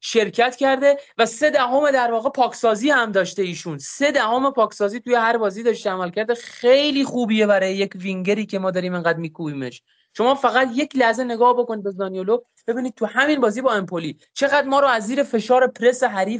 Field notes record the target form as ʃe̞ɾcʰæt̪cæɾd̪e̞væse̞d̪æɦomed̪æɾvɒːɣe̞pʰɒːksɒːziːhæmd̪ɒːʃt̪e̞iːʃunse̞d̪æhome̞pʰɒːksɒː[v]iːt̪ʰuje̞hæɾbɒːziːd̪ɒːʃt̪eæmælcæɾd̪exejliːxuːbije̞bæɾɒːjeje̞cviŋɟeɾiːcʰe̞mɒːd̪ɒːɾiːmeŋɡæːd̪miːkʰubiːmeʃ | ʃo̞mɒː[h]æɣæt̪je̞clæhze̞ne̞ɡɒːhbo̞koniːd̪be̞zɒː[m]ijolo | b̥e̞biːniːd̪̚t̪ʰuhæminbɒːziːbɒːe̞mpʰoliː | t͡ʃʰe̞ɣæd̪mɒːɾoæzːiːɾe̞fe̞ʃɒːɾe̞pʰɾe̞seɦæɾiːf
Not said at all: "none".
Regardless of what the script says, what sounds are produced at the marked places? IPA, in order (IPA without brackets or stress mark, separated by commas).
z, f, n